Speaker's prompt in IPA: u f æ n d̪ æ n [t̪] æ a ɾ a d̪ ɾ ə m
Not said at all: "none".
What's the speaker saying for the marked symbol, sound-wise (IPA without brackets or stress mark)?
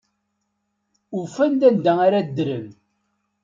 d̪